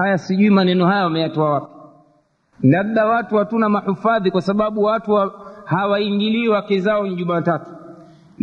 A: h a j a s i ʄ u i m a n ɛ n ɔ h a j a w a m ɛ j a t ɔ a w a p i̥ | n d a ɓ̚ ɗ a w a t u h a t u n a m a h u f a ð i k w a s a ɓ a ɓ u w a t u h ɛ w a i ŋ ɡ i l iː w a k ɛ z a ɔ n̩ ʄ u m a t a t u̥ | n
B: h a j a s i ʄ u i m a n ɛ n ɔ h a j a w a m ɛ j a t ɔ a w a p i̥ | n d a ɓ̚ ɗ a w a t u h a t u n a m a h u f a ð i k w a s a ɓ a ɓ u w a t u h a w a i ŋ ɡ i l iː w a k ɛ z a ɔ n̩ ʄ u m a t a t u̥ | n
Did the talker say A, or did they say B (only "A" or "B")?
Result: B